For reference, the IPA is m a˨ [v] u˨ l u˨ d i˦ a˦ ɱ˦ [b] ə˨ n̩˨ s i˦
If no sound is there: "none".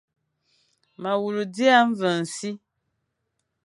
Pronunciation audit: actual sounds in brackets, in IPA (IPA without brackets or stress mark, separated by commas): w, v